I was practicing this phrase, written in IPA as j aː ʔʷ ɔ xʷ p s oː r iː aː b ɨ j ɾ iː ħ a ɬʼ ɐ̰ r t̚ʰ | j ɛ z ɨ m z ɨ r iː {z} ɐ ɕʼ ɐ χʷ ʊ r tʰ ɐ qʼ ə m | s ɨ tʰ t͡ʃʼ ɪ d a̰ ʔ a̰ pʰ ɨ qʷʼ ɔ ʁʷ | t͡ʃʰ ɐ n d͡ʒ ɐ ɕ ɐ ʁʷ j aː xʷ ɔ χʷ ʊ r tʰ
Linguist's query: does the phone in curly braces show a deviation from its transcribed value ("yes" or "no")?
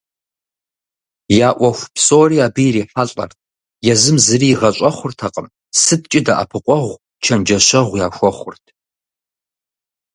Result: yes